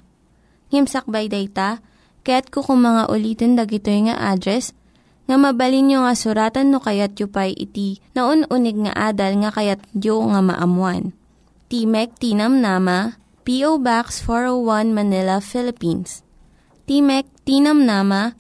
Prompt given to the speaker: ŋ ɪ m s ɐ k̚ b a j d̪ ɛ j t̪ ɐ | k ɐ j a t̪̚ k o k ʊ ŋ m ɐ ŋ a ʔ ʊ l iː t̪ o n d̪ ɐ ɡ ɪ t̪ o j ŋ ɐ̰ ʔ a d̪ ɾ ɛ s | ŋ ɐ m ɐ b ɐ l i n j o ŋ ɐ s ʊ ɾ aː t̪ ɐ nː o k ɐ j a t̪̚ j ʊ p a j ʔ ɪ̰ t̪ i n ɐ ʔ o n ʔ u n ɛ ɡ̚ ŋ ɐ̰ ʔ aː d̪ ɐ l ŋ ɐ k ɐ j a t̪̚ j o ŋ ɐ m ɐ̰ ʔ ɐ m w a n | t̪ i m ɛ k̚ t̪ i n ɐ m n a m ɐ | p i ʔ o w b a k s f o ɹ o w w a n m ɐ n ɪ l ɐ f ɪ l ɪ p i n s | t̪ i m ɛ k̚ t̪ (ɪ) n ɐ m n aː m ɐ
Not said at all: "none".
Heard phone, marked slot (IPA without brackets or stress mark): i